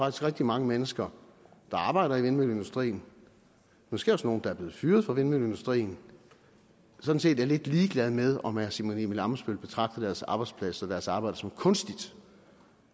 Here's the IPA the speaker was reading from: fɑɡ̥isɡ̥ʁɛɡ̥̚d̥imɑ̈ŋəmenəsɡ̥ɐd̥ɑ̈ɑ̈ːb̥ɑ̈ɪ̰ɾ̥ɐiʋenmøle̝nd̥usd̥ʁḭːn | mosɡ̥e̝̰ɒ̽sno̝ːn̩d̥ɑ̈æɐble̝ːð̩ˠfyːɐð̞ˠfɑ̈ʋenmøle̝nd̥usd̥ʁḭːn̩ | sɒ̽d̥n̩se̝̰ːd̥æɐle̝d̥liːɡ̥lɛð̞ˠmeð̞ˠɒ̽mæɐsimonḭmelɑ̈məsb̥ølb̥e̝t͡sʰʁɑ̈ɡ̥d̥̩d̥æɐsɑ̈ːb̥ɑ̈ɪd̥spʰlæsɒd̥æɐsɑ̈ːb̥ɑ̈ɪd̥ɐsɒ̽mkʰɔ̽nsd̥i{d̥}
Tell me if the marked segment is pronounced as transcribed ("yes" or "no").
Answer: yes